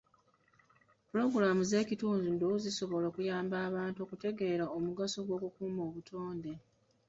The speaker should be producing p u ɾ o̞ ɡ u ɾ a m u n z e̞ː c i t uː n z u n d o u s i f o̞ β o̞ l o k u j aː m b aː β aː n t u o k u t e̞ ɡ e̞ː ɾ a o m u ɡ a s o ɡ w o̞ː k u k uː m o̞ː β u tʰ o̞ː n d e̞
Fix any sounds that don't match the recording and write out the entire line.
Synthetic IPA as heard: p u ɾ o̞ ɡ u ɾ a m u z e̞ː c i t uː n z u n d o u z i s o̞ β o̞ l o k u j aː m b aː β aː n t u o k u t e̞ ɡ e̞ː ɾ a o m u ɡ a s o ɡ w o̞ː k u k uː m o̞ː β u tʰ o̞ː n d e̞